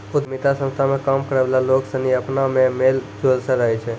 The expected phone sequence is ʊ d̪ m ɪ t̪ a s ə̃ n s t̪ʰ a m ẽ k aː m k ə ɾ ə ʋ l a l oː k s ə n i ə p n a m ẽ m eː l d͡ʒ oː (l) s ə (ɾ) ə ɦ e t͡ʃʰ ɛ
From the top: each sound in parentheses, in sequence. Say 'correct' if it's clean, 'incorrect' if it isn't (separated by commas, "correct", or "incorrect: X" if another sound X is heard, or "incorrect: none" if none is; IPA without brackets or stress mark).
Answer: correct, correct